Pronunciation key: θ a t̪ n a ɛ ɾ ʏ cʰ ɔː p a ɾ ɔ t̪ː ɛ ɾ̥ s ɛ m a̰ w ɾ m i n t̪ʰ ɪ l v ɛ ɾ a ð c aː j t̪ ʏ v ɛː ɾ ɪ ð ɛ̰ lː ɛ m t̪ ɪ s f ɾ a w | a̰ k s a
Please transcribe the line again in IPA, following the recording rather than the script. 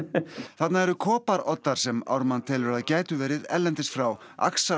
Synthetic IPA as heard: θ a t̪ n a ɛ ɾ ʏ kʰ ɔː p a ɾ ɔ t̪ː a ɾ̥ s ɛ m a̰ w ɾ m a n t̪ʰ ɪ l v ɛ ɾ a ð c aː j t̪ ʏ v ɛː ɾ ɪ ð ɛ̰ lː ɛ n t̪ ɪ s f ɾ a w | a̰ k s a